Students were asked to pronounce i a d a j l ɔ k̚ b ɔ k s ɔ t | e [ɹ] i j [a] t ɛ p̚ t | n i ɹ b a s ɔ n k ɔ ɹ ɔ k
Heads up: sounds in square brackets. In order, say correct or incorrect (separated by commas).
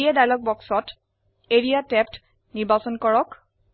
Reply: correct, correct